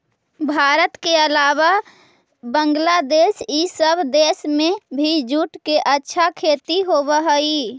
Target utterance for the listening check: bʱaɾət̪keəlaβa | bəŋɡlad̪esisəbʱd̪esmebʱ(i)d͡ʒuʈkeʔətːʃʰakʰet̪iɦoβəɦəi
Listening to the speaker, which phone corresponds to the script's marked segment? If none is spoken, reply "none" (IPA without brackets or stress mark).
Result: i